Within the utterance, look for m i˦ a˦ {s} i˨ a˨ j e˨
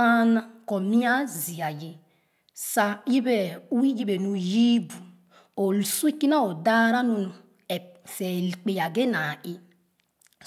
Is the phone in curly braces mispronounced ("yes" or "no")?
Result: yes